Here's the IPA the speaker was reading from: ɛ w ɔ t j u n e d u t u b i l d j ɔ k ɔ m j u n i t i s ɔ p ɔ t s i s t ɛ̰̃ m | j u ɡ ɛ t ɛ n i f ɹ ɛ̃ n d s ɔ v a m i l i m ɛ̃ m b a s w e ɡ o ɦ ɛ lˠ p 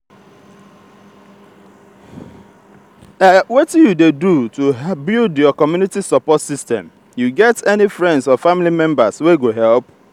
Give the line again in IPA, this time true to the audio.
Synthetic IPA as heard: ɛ w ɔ t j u d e d u t u b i l d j ɔ k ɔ m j u n i t i s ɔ p ɔ t s i s t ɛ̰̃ m | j u ɡ ɛ t ɛ n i f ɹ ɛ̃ n d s ɔ f a m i l i m ɛ̃ m b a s w e ɡ o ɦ ɛ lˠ p